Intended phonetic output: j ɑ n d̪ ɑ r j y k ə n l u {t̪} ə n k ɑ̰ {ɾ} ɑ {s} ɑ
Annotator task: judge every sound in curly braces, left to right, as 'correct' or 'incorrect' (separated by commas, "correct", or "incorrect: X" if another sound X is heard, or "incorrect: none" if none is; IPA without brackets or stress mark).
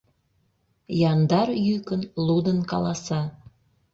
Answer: incorrect: d̪, incorrect: l, correct